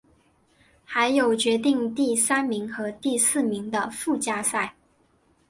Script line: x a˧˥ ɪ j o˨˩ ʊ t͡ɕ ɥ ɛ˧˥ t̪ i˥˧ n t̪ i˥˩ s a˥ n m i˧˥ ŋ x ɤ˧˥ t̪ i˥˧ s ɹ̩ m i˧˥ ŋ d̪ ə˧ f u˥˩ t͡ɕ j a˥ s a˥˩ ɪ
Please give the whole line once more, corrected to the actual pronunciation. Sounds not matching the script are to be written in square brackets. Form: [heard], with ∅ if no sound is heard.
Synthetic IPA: x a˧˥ ɪ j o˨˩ ʊ t͡ɕ ɥ ɛ˧˥ t̪ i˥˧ [ŋ] t̪ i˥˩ s a˥ n m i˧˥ ŋ x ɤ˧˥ t̪ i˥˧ s ɹ̩ m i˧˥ ŋ d̪ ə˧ f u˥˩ t͡ɕ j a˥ s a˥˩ ɪ